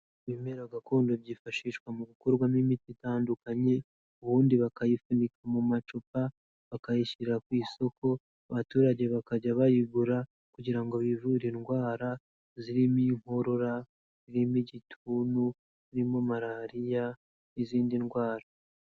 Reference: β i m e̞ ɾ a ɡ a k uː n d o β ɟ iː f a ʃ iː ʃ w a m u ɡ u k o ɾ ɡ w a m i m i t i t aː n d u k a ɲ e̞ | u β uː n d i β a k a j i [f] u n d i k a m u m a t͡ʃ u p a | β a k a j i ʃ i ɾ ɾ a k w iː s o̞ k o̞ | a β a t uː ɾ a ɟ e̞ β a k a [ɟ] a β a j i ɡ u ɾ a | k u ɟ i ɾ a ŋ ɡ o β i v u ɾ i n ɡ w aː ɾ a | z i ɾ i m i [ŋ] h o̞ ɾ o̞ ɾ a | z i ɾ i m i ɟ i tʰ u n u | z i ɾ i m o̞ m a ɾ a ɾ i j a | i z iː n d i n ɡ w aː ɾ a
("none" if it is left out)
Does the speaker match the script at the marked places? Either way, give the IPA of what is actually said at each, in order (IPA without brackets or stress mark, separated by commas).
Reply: f, ɟ, ŋ